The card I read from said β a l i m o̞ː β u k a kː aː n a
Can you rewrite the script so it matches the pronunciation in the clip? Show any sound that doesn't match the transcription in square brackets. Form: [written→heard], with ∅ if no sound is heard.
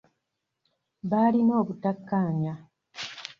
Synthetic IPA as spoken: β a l i [m→n] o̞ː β u [k→t] a kː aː [n→ɲ] a